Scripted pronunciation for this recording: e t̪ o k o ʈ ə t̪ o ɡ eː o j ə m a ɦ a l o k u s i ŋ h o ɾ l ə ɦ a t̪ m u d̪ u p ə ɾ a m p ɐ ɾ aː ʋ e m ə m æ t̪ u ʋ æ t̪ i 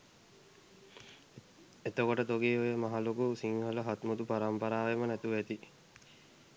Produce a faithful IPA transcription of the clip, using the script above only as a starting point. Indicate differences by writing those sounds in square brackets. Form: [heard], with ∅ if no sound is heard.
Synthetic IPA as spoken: e t̪ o k o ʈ ə t̪ o ɡ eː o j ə m a ɦ a l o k u s i ŋ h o [∅] l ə ɦ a t̪ m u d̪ u p [a] ɾ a m p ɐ ɾ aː ʋ e m ə [n] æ t̪ u ʋ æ t̪ i